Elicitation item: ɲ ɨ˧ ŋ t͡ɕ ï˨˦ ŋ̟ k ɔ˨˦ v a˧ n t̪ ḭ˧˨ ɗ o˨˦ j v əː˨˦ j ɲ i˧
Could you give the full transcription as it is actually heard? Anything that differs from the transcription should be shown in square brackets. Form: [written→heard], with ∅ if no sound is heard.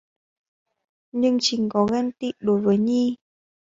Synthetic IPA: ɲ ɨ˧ ŋ t͡ɕ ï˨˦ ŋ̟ k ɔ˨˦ [v→ɣ] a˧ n t̪ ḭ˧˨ ɗ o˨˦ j v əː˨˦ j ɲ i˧